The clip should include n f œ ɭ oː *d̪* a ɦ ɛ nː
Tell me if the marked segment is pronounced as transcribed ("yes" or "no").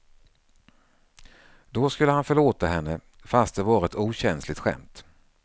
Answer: no